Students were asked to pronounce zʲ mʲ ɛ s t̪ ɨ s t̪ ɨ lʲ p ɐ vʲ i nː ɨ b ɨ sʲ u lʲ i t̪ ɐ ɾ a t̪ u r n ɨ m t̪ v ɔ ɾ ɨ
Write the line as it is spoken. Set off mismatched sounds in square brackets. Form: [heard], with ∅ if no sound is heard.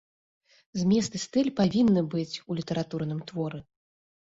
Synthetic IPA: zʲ mʲ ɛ s t̪ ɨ s t̪ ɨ lʲ p [a] vʲ i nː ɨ b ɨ [t͡sʲ] u lʲ i t̪ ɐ ɾ a t̪ u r n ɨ m t̪ v ɔ ɾ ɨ